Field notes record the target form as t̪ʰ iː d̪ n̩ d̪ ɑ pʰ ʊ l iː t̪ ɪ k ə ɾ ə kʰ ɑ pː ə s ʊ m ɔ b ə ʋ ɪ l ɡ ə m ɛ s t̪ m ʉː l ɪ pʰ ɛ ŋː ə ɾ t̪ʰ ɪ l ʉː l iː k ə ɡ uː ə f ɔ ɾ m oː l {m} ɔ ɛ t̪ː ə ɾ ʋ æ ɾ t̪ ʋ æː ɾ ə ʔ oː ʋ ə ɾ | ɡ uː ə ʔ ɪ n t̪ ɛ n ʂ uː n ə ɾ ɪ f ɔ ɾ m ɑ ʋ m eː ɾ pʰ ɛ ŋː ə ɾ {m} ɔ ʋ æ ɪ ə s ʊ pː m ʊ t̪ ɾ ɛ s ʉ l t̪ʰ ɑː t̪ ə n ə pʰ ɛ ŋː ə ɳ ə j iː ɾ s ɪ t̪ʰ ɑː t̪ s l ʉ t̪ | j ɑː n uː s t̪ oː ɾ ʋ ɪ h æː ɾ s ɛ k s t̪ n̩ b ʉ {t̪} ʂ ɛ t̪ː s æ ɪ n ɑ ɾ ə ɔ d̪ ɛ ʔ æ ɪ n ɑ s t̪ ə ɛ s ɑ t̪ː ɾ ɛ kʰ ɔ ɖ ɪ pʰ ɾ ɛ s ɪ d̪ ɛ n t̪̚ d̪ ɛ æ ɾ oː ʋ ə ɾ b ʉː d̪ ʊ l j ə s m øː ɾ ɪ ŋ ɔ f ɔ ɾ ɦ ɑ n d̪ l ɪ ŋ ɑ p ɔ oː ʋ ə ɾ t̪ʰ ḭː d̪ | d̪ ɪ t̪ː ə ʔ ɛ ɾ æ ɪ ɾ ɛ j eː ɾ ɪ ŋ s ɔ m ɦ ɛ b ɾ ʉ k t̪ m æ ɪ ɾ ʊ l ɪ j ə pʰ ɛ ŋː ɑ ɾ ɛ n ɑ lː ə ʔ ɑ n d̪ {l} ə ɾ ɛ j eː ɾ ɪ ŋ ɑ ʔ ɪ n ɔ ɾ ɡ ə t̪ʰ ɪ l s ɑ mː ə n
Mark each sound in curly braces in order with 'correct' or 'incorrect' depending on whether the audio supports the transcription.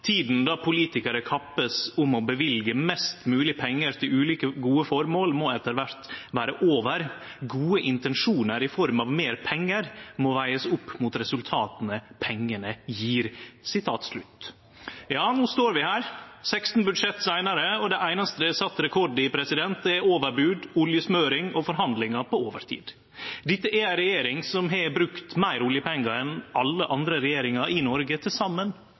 correct, correct, incorrect, incorrect

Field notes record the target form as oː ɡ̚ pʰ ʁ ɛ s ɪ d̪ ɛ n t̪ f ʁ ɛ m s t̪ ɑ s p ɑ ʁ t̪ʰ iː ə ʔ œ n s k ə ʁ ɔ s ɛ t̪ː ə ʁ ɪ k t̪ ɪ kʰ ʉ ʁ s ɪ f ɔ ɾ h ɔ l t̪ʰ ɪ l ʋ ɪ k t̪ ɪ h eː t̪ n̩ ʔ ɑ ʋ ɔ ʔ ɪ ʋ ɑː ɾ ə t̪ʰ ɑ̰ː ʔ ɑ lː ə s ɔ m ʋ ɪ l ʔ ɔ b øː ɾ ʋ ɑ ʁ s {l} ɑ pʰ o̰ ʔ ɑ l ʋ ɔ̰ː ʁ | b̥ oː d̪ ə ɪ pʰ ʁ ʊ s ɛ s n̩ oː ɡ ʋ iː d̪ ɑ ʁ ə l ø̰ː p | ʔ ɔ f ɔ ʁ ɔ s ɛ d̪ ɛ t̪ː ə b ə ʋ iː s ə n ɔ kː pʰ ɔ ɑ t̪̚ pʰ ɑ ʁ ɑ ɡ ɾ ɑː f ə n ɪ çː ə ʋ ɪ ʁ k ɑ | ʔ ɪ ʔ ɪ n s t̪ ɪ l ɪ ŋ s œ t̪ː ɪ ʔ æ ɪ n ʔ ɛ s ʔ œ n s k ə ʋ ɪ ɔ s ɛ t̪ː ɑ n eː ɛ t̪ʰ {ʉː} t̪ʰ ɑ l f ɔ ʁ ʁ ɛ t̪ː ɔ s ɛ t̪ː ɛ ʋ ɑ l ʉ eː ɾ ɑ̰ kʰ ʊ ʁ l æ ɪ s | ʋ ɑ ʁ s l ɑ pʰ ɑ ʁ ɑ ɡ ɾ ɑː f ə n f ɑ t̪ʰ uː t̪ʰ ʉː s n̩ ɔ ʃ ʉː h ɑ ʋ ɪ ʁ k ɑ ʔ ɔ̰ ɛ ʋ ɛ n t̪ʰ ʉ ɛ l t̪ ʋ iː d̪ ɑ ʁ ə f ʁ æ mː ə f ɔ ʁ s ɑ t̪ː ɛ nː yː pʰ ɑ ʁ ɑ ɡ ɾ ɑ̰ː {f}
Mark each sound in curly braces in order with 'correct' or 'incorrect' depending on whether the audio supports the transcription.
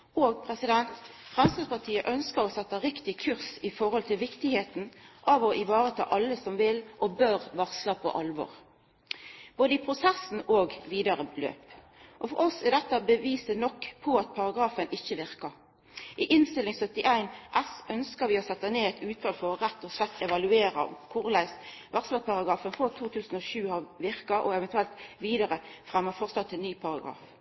correct, correct, correct

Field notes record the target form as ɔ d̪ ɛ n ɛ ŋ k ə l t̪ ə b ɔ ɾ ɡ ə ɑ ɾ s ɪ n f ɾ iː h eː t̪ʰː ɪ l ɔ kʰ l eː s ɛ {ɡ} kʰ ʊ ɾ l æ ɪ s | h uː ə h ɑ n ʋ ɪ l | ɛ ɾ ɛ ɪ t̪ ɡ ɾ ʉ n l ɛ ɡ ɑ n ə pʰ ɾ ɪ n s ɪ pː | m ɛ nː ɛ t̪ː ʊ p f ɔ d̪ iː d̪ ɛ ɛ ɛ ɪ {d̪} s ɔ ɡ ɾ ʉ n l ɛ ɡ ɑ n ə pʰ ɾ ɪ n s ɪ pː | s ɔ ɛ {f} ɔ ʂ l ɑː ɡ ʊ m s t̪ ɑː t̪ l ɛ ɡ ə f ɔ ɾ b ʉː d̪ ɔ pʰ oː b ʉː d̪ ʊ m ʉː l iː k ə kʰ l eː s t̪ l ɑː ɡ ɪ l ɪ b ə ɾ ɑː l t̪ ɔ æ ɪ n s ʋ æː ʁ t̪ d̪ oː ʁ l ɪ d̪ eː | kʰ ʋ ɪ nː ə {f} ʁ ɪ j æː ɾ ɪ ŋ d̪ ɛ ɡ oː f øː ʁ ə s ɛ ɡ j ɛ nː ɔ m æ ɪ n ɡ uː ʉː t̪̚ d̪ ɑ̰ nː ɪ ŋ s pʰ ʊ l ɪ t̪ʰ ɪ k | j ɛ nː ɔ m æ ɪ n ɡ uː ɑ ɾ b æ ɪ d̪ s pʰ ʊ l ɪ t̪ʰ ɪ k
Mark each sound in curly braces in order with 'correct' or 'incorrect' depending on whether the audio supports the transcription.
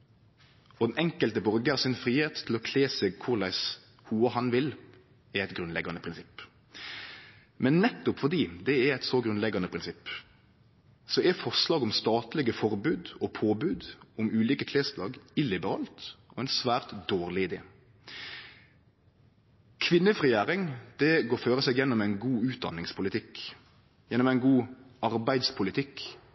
correct, incorrect, correct, correct

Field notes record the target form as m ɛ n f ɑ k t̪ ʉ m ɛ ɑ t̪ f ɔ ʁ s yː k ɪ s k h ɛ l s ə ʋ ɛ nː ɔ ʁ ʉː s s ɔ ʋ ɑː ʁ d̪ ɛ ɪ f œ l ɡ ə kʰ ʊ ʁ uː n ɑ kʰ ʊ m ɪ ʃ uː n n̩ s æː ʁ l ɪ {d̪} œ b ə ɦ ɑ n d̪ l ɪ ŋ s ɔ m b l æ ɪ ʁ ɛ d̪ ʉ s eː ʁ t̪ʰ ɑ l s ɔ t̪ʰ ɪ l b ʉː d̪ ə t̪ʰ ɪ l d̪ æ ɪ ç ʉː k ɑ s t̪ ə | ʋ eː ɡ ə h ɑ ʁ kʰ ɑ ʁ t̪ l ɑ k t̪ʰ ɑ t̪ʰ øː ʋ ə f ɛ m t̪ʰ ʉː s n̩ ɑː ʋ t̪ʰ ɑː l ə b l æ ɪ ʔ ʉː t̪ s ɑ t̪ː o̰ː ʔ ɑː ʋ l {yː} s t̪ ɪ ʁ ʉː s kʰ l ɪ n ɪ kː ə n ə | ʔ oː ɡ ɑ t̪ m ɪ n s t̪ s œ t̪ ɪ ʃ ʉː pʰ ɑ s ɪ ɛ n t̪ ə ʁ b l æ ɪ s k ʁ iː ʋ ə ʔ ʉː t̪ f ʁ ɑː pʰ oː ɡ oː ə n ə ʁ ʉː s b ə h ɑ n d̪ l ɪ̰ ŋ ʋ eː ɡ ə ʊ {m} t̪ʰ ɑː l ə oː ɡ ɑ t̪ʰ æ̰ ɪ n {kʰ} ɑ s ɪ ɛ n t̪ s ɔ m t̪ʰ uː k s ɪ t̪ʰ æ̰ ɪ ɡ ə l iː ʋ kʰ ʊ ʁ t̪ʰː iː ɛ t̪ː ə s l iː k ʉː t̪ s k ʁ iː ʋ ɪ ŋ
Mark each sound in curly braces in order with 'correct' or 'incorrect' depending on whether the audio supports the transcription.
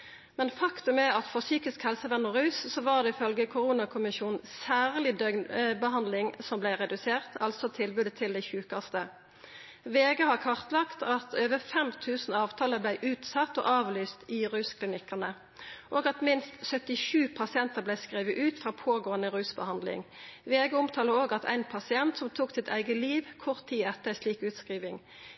correct, correct, correct, incorrect

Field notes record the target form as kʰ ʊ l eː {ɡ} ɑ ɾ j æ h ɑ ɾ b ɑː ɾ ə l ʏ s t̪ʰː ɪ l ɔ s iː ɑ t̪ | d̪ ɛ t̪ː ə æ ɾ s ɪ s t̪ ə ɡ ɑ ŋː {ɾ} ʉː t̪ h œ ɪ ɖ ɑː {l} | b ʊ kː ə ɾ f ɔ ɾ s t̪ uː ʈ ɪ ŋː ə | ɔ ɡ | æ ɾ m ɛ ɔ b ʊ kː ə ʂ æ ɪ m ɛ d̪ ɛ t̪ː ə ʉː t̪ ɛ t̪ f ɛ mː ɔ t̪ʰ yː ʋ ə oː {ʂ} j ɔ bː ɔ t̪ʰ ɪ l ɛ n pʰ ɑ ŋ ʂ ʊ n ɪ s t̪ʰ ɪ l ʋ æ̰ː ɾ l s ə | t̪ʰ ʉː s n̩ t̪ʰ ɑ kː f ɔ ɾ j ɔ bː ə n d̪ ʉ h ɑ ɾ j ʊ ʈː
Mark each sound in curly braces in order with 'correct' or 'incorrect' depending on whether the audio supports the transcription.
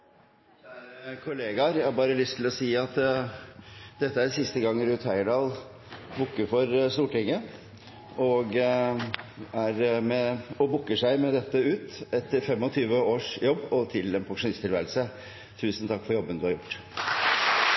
correct, correct, correct, correct

